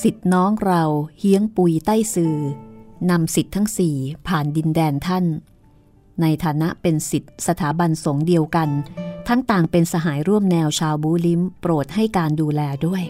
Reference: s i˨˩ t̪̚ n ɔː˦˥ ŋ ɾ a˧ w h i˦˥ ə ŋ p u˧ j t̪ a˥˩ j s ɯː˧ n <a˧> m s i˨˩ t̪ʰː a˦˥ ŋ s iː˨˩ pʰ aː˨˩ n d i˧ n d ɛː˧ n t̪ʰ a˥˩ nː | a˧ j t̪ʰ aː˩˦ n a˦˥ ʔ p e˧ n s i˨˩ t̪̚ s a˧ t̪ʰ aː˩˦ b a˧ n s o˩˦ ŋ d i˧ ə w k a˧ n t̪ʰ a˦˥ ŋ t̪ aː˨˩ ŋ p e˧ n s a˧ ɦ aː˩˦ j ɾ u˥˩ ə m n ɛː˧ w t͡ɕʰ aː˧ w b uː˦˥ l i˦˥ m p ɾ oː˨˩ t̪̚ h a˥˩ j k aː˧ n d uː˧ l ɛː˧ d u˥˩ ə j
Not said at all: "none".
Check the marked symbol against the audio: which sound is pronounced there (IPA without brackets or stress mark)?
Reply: a˧